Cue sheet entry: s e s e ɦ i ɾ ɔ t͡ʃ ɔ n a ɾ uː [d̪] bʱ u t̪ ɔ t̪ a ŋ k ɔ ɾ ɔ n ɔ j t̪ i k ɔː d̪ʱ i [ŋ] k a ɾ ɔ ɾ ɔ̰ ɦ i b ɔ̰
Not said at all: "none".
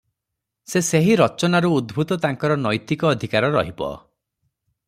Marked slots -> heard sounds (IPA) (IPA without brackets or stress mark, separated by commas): d̪, none